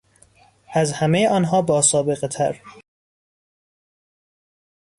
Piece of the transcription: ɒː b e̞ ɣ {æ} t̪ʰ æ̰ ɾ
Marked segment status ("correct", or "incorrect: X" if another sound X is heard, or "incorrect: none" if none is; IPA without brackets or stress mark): incorrect: e